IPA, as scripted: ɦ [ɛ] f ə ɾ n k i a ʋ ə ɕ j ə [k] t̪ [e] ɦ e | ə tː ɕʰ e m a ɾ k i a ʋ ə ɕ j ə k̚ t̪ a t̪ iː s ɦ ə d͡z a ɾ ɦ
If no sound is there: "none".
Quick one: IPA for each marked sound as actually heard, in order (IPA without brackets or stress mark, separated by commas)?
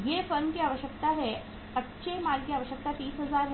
e, k, a